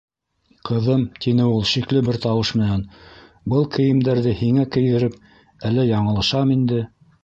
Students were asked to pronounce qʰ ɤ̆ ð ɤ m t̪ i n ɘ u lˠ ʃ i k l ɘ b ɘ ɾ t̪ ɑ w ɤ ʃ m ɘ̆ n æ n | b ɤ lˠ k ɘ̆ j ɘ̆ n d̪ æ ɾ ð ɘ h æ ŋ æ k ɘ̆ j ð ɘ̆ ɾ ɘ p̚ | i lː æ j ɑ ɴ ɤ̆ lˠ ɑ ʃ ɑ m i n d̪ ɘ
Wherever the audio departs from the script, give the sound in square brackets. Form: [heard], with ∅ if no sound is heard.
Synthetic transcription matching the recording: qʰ ɤ̆ ð ɤ m t̪ i n ɘ u lˠ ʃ i k l ɘ b ɘ ɾ t̪ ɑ w ɤ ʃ m ɘ̆ n æ n | b ɤ lˠ k ɘ̆ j ɘ̆ [m] d̪ æ ɾ ð ɘ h [i] ŋ æ k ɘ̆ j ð ɘ̆ ɾ ɘ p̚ | [æ] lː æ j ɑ ɴ ɤ̆ lˠ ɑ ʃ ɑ m i n d̪ ɘ